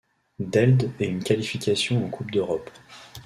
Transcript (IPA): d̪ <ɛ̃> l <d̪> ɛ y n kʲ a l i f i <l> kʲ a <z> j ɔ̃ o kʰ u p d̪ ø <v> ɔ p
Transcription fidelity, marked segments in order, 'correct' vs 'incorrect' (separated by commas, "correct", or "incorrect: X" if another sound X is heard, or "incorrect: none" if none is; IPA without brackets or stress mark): incorrect: ɛ, correct, incorrect: none, incorrect: s, incorrect: ʁ